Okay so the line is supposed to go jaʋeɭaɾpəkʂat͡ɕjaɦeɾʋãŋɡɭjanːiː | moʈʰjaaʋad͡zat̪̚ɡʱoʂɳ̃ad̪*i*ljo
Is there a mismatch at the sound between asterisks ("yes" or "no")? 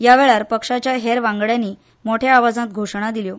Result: no